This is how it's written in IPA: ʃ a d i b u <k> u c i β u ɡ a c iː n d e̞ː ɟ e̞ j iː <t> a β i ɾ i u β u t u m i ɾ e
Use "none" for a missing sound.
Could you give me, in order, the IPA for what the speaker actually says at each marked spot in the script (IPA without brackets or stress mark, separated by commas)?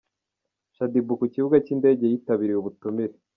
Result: k, t